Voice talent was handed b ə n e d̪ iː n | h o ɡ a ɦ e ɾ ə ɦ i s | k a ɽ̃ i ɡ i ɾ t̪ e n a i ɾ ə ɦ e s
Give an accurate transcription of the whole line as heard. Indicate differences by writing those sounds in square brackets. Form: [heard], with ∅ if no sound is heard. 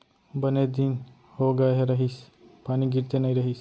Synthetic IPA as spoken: b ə n e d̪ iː n | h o ɡ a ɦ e ɾ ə ɦ i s | [p] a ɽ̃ i ɡ i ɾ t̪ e n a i ɾ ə ɦ [i] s